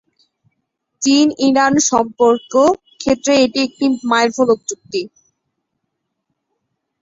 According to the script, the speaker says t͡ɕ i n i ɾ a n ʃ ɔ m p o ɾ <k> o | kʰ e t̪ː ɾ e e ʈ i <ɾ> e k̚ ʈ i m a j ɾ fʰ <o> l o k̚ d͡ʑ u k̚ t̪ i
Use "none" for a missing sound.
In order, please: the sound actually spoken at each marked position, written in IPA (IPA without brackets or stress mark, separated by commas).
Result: k, none, o